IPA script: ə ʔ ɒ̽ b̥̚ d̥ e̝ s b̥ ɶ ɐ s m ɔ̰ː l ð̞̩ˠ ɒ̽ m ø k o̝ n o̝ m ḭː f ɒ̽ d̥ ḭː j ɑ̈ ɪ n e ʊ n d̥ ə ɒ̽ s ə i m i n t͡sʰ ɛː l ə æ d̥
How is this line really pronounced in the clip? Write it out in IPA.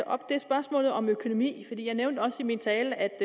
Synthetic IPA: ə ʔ ɒ̽ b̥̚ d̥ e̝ s b̥ ɶ ɐ s m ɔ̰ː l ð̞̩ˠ ɒ̽ m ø kʰ o̝ n o̝ m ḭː f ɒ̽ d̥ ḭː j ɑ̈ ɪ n e ʊ n d̥ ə ɒ̽ s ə i m i n t͡sʰ ɛː l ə æ d̥